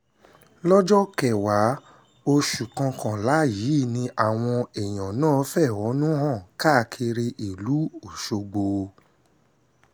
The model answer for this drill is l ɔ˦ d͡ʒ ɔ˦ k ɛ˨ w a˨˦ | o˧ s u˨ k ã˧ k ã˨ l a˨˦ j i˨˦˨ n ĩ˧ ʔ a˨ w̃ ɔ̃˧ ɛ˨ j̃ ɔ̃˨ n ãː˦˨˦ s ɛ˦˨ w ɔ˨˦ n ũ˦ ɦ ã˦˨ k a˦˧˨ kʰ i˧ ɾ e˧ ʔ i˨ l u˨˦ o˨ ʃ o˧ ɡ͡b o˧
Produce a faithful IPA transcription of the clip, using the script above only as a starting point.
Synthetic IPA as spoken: l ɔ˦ d͡ʒ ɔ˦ k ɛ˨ w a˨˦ | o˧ ʃ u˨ k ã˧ k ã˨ l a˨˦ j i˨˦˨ n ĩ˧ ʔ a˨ w̃ ɔ̃˧ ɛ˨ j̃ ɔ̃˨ n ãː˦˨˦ f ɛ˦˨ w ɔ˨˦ n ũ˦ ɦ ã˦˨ k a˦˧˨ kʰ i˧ ɾ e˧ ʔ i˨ l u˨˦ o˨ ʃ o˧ ɡ͡b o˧